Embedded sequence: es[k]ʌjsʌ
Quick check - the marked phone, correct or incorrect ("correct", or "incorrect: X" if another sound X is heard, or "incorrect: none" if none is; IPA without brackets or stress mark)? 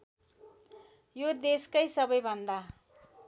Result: correct